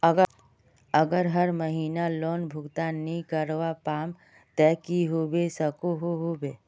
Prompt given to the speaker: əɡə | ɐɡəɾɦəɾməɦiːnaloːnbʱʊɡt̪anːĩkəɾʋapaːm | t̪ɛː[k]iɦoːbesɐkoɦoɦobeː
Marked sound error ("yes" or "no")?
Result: no